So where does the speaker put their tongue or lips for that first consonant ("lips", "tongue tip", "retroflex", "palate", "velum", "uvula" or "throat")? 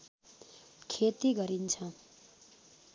velum